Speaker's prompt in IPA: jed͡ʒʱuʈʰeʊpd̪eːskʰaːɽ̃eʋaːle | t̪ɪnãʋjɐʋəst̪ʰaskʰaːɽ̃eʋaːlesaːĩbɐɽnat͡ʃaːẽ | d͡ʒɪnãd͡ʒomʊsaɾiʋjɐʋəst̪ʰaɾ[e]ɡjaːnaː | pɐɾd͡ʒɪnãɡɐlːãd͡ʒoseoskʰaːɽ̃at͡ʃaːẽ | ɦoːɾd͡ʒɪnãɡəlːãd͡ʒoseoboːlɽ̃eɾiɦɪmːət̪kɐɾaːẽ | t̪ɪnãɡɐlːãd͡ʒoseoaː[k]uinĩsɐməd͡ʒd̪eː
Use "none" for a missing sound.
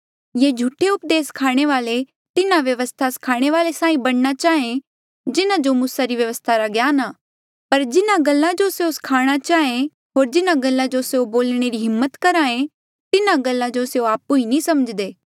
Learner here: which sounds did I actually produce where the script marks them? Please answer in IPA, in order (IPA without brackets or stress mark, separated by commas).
a, p